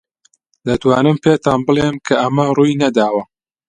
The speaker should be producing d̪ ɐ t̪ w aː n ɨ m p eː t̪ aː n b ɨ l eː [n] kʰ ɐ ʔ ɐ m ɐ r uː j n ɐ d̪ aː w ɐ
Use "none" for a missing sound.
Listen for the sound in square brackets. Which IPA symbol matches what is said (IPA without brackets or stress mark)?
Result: m